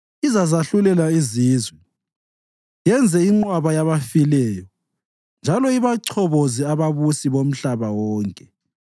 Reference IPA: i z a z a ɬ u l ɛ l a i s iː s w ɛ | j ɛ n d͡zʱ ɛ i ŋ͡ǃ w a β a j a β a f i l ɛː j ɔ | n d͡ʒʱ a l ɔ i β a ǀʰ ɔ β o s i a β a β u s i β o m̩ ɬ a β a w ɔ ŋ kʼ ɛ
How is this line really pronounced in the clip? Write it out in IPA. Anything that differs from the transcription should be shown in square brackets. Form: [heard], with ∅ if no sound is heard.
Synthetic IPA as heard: i z a z a ɬ u l ɛ l a i [z] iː [z] w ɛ | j ɛ n d͡zʱ ɛ i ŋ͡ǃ w a β a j a β a f i l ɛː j ɔ | n d͡ʒʱ a l ɔ i β a ǀʰ ɔ β o [z] i a β a β u s i β o m̩ ɬ a β a w [ɔː] ŋ kʼ ɛ